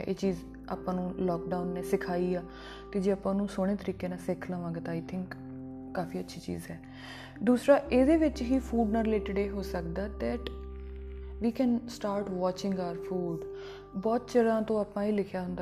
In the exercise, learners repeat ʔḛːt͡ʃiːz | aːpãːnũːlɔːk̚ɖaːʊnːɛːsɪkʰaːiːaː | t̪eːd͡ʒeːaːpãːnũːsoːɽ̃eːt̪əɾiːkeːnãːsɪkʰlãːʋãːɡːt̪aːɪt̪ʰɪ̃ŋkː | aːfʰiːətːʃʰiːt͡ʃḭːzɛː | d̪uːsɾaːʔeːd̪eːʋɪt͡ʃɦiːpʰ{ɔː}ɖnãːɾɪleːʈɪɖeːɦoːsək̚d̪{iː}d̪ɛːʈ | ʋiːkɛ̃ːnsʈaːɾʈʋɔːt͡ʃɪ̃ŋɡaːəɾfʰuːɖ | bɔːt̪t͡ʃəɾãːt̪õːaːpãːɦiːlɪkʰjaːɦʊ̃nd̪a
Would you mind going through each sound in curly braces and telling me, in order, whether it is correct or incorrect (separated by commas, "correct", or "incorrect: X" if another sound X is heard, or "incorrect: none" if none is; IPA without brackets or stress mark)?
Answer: incorrect: uː, incorrect: aː